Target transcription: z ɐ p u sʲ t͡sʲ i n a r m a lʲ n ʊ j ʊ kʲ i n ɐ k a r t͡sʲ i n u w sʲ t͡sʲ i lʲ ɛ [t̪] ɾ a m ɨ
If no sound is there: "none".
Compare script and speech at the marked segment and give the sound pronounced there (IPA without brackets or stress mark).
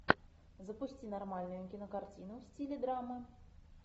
d̪